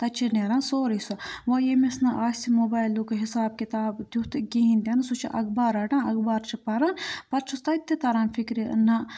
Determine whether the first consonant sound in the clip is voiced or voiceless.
voiceless